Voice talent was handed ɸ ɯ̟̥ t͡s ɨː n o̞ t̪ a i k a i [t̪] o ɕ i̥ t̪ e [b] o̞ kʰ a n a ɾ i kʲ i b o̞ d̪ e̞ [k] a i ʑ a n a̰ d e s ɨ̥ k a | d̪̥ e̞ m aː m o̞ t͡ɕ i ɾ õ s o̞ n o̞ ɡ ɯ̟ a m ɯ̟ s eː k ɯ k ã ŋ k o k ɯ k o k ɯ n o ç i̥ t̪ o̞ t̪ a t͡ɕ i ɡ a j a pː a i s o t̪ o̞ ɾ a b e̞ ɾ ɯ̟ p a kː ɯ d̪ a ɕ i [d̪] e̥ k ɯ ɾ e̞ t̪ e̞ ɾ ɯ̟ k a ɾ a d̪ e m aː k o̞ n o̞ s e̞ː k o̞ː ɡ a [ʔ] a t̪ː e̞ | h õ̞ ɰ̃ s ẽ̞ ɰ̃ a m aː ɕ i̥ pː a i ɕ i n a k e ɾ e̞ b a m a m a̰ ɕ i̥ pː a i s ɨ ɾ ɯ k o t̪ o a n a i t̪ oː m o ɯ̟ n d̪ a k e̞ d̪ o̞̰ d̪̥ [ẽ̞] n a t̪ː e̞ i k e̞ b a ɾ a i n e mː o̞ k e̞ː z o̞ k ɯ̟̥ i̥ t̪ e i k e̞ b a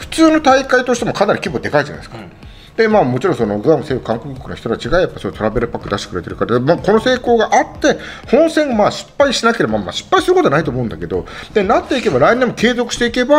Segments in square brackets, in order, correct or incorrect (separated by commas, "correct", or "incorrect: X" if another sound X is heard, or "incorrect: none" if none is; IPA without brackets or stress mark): correct, incorrect: m, correct, incorrect: t̪, correct, incorrect: e̞